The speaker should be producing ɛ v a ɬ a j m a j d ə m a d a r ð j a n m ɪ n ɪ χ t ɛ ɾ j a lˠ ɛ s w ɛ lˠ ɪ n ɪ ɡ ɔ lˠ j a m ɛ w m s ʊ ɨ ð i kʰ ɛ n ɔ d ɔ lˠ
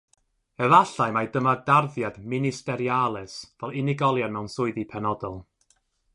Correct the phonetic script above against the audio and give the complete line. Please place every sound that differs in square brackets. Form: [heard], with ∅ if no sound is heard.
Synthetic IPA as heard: ɛ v a ɬ a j m a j d ə m a d a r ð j a [d] m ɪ n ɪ [s] t ɛ ɾ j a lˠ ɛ s [v] ɛ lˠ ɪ n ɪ ɡ ɔ lˠ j a m ɛ w [n] s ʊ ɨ ð i [pʰ] ɛ n ɔ d ɔ lˠ